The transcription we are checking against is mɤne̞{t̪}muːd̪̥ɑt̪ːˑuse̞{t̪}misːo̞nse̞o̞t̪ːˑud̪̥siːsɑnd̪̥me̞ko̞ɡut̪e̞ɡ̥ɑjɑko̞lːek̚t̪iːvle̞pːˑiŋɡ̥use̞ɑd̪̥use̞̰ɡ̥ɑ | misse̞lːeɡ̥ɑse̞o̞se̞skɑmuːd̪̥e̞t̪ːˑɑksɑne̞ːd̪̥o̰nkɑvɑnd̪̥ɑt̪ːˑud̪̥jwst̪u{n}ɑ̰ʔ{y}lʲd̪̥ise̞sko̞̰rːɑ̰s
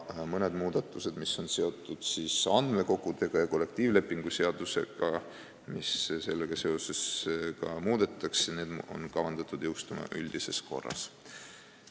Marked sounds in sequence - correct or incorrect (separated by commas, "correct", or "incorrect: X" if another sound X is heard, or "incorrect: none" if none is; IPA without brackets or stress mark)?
incorrect: d̪, incorrect: d̪, incorrect: m, correct